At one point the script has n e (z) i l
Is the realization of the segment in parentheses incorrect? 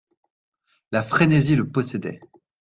no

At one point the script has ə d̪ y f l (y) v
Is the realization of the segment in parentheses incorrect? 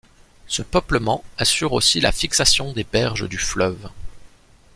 yes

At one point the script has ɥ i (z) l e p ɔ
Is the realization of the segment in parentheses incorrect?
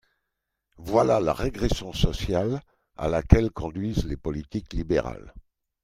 no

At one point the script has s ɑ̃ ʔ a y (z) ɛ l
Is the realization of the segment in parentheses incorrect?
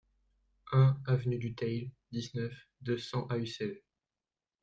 yes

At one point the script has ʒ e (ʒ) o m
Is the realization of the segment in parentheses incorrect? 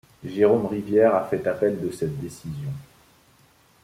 yes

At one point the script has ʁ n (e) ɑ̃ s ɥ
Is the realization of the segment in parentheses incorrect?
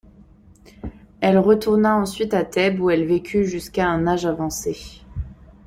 yes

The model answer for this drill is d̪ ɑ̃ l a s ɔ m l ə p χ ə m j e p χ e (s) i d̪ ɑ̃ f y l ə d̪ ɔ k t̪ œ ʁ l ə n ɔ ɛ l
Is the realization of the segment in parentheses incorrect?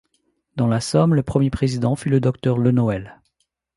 yes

